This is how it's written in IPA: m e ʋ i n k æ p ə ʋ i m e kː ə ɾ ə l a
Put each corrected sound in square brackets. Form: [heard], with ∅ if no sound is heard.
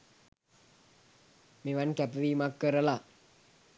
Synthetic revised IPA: m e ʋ [a] n k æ p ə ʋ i m [a] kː ə ɾ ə l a